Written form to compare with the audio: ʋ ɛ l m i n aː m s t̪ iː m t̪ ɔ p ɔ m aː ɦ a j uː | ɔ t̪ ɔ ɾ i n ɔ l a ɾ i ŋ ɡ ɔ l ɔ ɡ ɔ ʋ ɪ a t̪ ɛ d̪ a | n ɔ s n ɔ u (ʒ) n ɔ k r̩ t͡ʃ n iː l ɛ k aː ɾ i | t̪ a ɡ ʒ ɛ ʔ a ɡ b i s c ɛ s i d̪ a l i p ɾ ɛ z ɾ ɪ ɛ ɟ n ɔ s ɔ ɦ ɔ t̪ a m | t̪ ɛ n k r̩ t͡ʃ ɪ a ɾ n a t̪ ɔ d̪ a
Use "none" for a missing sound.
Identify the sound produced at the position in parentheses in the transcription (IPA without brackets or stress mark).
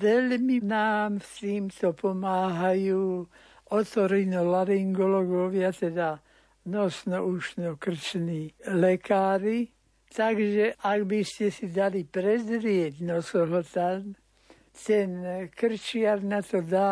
ʃ